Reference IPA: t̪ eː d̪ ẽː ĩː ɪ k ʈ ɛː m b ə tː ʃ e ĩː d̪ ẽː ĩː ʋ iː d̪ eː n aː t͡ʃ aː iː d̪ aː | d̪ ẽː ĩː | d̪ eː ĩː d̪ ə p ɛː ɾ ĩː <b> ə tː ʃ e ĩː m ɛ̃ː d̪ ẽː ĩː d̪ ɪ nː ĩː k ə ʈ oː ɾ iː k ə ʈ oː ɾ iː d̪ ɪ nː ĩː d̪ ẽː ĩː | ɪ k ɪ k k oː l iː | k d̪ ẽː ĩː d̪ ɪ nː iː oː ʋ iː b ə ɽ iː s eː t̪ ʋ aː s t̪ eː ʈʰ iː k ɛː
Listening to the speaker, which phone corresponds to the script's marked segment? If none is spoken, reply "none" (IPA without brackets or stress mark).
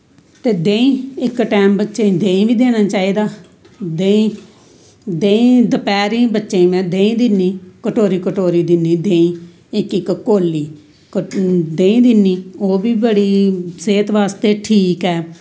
b